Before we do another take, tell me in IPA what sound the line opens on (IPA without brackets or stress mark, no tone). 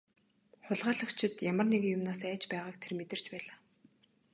χ